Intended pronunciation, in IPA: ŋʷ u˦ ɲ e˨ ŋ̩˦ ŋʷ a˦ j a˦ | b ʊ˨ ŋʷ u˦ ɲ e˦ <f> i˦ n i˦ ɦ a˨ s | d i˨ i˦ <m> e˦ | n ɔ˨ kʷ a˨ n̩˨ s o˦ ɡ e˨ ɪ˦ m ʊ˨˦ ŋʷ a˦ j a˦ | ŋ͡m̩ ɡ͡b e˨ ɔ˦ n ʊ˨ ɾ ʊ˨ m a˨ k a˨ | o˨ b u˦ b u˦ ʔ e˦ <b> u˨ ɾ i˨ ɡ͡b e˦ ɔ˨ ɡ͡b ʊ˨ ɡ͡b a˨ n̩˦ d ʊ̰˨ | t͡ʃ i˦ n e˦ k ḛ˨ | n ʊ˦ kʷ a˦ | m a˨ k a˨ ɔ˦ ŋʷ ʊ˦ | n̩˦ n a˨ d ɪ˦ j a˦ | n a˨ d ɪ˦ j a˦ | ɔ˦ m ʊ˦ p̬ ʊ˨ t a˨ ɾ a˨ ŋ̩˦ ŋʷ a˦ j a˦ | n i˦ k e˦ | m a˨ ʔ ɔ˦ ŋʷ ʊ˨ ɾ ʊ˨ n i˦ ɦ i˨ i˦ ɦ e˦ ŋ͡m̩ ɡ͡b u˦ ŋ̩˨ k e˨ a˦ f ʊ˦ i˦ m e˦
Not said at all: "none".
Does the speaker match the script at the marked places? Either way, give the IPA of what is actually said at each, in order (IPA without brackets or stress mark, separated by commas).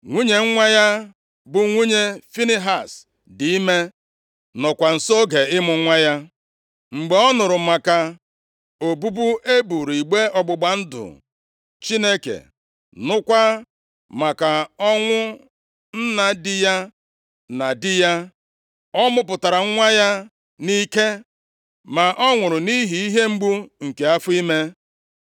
f, m, b